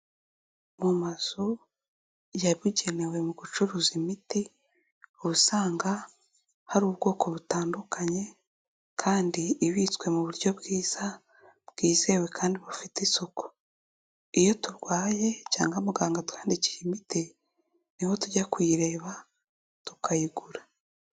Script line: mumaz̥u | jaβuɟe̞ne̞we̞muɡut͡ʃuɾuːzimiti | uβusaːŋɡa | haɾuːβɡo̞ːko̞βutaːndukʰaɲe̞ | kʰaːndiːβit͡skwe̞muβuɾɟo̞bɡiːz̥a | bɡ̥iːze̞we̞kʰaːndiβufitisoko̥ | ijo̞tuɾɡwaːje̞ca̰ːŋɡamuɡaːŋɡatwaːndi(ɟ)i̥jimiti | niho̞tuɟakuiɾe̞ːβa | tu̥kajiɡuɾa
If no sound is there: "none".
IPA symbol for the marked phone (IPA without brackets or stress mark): c